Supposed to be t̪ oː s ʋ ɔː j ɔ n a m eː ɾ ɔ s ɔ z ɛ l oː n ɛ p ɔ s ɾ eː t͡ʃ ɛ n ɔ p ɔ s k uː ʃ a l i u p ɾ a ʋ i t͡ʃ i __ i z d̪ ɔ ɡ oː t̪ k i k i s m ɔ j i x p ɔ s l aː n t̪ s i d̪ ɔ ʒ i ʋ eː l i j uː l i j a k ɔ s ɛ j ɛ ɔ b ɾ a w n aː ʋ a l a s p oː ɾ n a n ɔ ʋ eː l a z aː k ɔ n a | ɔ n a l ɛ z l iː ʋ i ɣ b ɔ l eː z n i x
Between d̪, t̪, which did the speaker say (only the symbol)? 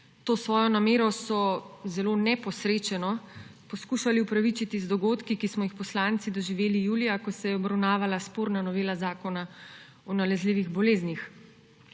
t̪